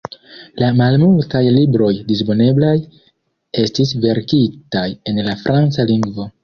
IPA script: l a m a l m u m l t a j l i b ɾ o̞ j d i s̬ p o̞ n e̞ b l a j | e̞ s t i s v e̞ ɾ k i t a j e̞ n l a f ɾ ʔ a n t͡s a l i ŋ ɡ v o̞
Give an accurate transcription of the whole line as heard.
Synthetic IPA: l a m a l m u l t a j l i b ɾ o̞ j d i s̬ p o̞ n e̞ b l a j | e̞ s t i s v e̞ ɾ k i t a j e̞ n l a f ɾ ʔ a n t͡s a l i ŋ ɡ v o̞